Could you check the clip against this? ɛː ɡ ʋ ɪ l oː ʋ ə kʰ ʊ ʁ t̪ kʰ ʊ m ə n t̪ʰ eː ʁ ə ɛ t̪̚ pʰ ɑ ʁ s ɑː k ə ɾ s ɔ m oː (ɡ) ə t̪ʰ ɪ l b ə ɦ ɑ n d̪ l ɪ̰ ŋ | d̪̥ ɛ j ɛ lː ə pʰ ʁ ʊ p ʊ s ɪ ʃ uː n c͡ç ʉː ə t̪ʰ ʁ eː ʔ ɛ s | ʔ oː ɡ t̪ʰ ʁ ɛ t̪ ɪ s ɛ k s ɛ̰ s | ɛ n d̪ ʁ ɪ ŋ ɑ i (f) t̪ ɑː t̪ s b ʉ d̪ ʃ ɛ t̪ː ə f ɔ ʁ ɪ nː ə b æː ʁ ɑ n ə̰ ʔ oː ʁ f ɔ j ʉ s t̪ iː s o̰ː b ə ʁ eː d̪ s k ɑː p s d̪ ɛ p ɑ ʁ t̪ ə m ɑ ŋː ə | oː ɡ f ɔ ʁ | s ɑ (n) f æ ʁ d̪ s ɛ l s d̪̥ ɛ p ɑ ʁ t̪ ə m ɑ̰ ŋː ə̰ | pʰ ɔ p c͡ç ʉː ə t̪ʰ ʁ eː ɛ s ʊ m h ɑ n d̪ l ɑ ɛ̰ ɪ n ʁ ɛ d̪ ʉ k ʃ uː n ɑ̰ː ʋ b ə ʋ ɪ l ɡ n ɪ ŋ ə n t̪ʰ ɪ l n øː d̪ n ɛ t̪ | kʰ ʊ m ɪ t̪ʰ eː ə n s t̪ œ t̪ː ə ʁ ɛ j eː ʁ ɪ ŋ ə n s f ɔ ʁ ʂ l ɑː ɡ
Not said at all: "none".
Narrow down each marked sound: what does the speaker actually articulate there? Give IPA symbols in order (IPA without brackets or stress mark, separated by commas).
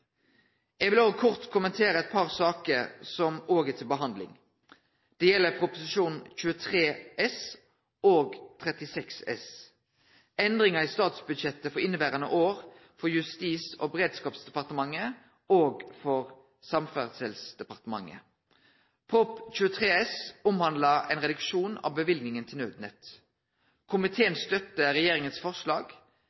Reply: ɡ, s, m